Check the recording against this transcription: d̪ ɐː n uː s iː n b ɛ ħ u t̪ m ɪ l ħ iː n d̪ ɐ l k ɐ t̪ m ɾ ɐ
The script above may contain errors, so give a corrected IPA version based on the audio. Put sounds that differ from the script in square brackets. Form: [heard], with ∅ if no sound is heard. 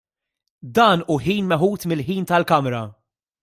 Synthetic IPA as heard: d̪ ɐː n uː [ħ] iː n [m] ɛ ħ [uː] t̪ m ɪ l ħ iː n [t̪] ɐ l k ɐ [∅] m ɾ ɐ